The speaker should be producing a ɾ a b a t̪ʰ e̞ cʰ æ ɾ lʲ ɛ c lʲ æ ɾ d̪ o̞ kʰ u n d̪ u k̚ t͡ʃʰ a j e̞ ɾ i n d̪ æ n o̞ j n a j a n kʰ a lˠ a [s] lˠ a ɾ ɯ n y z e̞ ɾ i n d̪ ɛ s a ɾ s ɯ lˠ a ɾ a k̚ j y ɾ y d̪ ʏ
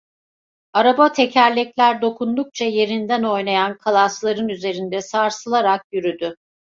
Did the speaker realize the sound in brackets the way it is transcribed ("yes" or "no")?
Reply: yes